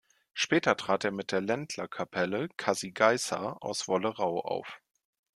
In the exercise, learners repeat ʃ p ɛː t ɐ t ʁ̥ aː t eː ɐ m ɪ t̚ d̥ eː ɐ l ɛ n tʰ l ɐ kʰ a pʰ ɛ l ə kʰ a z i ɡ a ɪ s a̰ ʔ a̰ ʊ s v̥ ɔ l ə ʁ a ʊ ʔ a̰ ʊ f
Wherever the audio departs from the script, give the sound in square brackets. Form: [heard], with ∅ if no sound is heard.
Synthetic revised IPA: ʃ p ɛː t ɐ t ʁ̥ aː t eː ɐ m ɪ t̚ d̥ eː ɐ l ɛ n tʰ l ɐ kʰ a pʰ ɛ l ə kʰ a z i ɡ a ɪ s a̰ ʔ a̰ ʊ s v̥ ɔ l ə ʁ a ʊ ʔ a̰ ʊ f